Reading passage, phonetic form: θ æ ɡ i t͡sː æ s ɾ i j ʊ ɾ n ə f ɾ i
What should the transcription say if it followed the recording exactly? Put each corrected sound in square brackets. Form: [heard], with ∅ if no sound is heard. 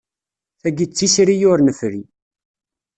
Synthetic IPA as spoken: θ æ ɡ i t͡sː [i] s ɾ i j ʊ ɾ n ə f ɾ i